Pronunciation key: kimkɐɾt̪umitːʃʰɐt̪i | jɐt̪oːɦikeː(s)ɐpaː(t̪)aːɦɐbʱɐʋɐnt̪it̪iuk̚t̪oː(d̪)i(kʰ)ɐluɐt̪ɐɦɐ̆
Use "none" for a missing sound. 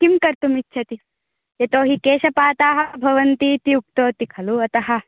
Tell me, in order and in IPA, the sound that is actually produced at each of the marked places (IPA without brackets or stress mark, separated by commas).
ʃ, t̪, t̪, kʰ